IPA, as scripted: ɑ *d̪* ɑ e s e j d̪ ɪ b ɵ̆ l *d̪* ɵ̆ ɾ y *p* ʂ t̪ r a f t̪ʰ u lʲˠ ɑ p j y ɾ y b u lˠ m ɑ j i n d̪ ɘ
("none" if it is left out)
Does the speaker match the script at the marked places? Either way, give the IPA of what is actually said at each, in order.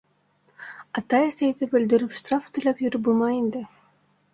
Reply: t̪, d̪, p

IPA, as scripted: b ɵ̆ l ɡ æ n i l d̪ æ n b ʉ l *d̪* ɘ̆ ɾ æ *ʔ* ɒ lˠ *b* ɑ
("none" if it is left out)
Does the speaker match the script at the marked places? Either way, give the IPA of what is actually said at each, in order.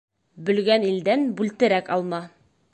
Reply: t̪, k, m

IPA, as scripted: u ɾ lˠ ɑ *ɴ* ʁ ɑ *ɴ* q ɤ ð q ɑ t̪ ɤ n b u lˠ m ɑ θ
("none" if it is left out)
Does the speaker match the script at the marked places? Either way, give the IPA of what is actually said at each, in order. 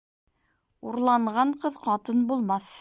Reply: ɴ, ɴ

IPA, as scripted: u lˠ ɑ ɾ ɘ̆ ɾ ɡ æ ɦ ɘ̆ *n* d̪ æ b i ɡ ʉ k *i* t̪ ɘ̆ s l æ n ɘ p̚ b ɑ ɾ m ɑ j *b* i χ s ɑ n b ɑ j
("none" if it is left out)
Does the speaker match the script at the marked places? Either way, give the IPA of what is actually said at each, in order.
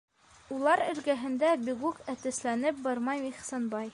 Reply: n, æ, m

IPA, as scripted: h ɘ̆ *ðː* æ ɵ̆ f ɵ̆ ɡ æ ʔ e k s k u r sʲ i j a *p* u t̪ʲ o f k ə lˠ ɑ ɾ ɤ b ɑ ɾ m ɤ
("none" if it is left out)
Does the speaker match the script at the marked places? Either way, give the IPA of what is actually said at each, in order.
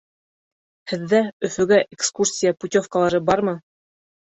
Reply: ðː, p

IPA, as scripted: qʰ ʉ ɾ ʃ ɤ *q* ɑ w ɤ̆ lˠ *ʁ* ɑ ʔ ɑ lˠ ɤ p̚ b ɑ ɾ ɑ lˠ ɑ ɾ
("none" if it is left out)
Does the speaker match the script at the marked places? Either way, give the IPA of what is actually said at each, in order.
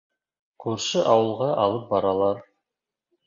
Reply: ʔ, ʁ

